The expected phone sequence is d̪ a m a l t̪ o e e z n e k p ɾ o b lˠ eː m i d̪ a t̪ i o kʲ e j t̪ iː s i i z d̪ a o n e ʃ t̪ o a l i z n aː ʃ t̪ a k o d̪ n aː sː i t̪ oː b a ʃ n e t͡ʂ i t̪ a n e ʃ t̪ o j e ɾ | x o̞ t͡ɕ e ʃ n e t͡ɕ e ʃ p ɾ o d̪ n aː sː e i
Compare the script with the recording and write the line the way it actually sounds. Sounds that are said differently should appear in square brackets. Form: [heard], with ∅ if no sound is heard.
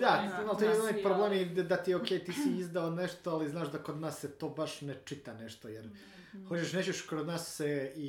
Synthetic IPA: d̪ a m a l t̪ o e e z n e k p ɾ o b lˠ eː m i d̪ a t̪ i o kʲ e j t̪ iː s i i z d̪ a o n e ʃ t̪ o a l i z n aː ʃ [d̪] a k o d̪ n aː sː [e] t̪ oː b a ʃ n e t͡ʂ i t̪ a n e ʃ t̪ o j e ɾ | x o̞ t͡ɕ e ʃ n e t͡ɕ e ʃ [k] ɾ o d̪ n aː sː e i